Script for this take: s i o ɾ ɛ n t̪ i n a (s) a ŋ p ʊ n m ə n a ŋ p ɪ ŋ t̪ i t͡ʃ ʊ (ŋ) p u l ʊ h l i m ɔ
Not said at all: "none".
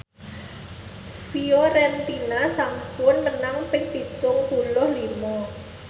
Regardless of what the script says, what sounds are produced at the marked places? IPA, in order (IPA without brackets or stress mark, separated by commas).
s, ŋ